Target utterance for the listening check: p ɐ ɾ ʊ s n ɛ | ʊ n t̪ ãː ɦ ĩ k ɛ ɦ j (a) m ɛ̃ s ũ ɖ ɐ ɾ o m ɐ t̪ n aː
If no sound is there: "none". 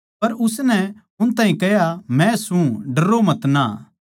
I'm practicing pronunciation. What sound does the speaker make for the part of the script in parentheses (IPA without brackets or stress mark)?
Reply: a